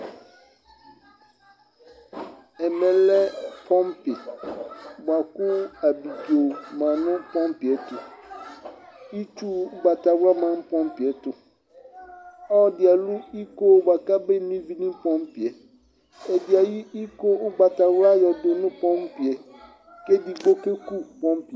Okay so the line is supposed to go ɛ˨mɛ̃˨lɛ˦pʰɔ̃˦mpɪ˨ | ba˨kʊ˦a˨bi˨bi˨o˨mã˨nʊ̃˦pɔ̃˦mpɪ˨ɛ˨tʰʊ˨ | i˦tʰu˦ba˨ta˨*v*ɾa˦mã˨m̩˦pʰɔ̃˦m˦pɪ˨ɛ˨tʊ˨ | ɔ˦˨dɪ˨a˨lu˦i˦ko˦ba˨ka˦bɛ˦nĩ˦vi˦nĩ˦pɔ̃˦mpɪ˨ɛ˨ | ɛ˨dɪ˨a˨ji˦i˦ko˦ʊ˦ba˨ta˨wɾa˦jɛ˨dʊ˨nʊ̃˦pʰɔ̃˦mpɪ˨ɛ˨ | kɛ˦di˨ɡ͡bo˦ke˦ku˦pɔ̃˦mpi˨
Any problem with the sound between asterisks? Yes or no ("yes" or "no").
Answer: yes